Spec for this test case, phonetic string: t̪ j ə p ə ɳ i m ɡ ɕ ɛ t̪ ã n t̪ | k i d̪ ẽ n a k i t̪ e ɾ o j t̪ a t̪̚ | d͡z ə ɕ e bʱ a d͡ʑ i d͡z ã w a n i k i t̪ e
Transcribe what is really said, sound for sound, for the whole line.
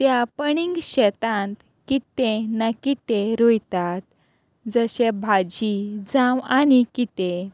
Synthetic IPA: t̪ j a p ə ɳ i ŋ ɡ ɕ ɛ t̪ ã n t̪ | k i t̪ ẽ n a k i t̪ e ɾ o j t̪ a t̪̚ | d͡z ə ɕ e bʱ a d͡ʑ i d͡z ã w a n i k i t̪ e